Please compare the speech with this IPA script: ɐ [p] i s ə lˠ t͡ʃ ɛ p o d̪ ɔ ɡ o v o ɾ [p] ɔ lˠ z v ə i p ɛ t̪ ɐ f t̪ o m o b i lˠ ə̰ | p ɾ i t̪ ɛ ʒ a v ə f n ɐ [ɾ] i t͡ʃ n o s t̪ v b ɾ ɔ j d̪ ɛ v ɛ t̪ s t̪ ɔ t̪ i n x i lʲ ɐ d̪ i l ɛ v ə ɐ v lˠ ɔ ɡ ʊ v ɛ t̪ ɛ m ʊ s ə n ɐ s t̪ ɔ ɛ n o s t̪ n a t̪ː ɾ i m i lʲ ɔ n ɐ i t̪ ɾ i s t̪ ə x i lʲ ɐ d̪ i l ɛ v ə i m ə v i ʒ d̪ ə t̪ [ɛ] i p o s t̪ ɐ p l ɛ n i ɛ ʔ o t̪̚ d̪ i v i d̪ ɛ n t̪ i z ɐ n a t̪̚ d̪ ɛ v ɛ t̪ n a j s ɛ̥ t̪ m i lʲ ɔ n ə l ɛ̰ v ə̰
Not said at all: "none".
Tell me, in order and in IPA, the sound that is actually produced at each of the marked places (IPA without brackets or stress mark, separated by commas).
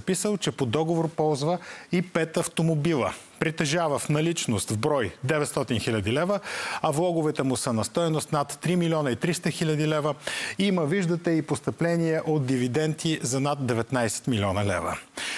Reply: p, p, l, ɛ